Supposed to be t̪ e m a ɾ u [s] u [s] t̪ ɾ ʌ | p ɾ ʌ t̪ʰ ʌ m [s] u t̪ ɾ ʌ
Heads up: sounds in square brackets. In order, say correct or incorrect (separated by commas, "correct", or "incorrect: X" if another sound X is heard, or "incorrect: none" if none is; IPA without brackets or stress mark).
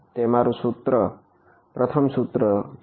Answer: correct, incorrect: none, correct